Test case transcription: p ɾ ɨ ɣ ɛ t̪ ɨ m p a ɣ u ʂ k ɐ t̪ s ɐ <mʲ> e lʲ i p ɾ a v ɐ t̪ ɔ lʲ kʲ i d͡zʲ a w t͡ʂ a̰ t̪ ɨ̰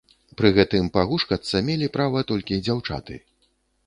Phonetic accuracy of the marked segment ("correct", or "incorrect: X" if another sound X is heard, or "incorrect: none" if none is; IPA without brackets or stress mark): correct